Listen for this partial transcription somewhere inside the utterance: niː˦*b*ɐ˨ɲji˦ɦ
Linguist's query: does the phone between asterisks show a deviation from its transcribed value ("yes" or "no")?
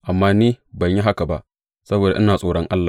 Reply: no